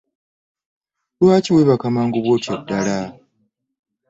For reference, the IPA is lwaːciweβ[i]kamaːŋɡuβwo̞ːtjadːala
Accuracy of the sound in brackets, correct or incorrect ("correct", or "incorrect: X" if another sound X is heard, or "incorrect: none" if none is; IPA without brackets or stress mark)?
incorrect: a